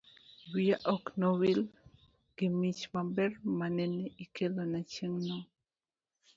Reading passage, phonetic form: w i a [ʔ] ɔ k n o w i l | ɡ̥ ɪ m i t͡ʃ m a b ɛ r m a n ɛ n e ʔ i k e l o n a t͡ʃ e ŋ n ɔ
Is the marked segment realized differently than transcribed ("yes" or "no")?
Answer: no